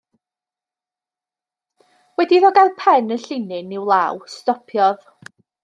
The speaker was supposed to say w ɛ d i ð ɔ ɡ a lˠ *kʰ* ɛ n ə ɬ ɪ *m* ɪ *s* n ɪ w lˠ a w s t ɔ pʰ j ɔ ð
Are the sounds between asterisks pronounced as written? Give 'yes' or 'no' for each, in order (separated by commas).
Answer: no, no, no